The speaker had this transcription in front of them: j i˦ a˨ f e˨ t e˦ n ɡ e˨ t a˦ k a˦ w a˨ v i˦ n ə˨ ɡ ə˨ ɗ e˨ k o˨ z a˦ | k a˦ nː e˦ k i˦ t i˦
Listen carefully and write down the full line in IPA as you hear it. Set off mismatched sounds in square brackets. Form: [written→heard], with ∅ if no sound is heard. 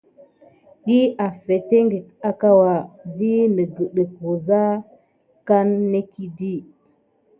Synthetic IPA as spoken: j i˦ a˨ f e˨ t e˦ [n→ŋ] ɡ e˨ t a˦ k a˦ w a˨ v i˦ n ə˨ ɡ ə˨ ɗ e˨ k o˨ z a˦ | k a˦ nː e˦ k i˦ [t→d] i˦